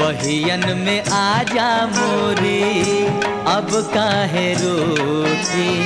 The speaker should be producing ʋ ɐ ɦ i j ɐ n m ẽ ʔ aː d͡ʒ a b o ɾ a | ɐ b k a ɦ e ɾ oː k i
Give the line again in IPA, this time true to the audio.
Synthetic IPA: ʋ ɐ ɦ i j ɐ n m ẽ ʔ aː d͡ʒ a m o ɾ i | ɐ b k a ɦ e ɾ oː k i